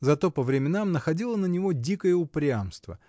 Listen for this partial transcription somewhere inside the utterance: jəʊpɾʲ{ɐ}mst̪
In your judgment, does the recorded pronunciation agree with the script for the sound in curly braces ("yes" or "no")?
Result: no